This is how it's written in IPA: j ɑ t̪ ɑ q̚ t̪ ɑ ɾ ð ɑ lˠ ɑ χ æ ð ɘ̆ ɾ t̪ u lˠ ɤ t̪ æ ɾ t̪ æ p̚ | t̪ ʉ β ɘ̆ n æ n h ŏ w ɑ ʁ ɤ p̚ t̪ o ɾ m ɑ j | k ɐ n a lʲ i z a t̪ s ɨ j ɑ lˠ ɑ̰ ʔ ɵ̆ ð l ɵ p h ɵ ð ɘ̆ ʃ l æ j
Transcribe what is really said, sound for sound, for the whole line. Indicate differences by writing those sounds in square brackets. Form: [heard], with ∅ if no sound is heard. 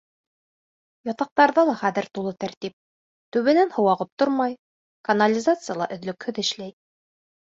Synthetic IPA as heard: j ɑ t̪ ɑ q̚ t̪ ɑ ɾ ð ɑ lˠ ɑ χ æ ð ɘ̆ ɾ t̪ u lˠ ɤ t̪ æ ɾ t̪ [i] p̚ | t̪ ʉ β ɘ̆ n æ n h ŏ w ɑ ʁ ɤ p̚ t̪ o ɾ m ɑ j | k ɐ n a lʲ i z a t̪ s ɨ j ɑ lˠ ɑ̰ ʔ ɵ̆ ð l ɵ [k] h ɵ ð ɘ̆ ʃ l æ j

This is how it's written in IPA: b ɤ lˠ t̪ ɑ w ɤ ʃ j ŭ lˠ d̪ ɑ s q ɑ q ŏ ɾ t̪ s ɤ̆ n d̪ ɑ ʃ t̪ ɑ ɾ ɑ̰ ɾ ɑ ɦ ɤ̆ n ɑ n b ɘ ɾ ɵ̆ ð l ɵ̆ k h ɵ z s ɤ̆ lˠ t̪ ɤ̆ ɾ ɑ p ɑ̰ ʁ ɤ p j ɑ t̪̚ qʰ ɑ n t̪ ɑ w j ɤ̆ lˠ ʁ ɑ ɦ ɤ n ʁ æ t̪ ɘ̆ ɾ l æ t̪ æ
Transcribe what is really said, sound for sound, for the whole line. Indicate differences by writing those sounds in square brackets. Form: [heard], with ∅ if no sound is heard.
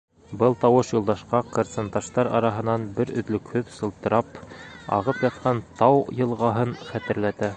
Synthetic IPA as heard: b ɤ lˠ t̪ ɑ w ɤ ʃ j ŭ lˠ d̪ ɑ [ʃ] q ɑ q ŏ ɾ t̪ s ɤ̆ n [t̪] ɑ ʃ t̪ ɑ ɾ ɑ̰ ɾ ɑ ɦ ɤ̆ n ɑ n b ɘ ɾ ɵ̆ ð l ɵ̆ k h ɵ [ð] s ɤ̆ lˠ t̪ ɤ̆ ɾ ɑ p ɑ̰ ʁ ɤ p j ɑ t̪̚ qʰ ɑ n t̪ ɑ w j ɤ̆ lˠ ʁ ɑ ɦ ɤ n [χ] æ t̪ ɘ̆ ɾ l æ t̪ æ

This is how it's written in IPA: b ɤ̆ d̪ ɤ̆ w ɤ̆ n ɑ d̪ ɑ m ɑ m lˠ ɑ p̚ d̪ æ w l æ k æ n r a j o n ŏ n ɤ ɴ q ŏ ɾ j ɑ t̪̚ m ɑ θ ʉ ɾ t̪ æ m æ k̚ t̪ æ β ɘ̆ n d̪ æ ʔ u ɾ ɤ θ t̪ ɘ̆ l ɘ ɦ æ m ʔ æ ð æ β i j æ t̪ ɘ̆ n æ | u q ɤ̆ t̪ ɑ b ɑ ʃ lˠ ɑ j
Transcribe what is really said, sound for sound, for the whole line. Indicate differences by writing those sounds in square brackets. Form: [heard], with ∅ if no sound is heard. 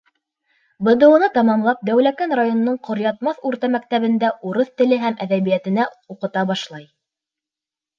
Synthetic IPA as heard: b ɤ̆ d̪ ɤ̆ w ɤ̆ n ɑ [t̪] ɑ m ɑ m lˠ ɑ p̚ d̪ æ w l æ k æ n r a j o n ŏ n ɤ ɴ q ŏ ɾ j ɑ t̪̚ m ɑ θ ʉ ɾ t̪ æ m æ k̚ t̪ æ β ɘ̆ n d̪ æ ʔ u ɾ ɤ θ t̪ ɘ̆ l ɘ ɦ æ m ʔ æ ð æ β i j æ t̪ ɘ̆ n æ | u q ɤ̆ t̪ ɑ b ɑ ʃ lˠ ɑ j

